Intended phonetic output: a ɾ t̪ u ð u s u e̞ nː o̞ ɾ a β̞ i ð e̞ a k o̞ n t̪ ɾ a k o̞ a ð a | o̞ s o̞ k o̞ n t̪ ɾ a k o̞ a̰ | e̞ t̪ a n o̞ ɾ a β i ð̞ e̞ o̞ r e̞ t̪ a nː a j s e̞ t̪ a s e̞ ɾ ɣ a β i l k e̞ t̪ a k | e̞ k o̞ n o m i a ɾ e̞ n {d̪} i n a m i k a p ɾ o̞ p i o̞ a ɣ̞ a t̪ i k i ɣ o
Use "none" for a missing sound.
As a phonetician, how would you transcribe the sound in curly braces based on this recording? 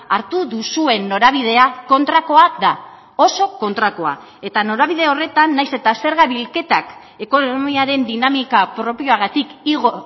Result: d̪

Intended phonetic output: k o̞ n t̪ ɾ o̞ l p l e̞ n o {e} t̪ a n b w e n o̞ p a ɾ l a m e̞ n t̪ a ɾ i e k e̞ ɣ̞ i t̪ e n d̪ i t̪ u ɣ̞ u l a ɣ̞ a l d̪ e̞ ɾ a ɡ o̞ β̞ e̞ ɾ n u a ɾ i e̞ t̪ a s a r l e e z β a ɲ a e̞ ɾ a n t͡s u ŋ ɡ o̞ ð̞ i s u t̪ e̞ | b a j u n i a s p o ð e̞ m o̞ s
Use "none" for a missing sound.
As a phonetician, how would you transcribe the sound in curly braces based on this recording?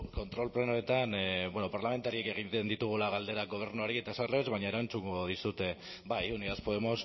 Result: e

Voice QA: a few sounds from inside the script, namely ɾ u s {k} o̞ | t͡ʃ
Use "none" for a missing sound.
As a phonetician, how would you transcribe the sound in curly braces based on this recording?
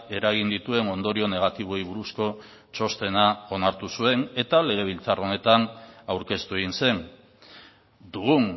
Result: k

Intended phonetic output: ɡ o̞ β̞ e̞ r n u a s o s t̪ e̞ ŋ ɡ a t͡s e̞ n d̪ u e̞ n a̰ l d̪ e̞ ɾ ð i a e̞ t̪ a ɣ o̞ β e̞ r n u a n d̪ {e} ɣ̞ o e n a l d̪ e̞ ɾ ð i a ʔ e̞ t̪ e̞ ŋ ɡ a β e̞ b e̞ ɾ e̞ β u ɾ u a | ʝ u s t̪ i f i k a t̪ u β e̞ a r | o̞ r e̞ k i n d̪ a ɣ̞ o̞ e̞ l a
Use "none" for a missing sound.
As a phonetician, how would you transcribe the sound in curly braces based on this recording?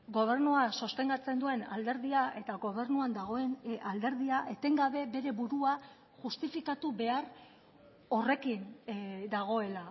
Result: a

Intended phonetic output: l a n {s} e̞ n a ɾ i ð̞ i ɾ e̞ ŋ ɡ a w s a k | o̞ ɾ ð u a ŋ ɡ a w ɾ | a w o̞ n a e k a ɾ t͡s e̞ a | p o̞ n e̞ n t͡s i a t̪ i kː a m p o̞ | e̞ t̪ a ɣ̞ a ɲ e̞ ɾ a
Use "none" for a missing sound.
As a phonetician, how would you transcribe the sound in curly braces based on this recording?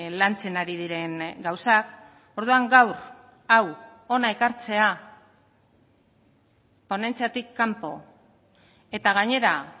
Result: t͡s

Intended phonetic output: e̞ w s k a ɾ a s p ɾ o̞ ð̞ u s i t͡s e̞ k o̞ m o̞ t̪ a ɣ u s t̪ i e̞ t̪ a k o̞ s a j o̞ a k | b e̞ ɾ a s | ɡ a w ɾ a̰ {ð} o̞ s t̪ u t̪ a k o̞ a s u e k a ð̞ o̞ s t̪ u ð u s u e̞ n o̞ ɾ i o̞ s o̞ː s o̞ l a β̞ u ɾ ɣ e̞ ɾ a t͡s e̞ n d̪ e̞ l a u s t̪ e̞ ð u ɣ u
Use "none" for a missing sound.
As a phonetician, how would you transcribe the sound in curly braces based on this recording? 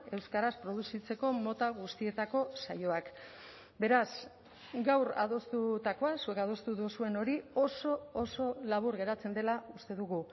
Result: ð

